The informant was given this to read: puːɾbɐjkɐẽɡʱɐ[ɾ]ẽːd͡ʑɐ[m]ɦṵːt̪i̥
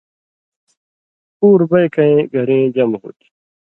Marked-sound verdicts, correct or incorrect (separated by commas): correct, correct